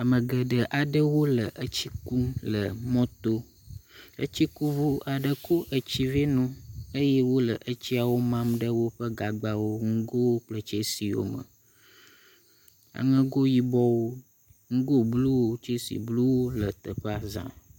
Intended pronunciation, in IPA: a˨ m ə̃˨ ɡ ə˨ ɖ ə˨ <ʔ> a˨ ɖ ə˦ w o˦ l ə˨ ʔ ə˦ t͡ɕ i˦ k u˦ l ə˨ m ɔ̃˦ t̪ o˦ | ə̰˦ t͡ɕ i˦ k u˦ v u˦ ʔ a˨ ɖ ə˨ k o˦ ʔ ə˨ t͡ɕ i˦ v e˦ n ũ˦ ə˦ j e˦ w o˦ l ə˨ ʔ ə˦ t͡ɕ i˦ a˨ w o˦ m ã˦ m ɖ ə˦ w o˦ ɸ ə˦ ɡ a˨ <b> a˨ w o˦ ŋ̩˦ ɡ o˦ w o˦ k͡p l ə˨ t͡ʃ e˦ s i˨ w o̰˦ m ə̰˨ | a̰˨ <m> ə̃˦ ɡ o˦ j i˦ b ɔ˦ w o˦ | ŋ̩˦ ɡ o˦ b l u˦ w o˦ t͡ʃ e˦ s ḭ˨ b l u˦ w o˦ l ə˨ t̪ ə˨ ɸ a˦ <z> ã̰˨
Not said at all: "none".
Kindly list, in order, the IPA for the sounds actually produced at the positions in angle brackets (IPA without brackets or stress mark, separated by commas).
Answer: ʔ, ɡ͡b, ŋ, z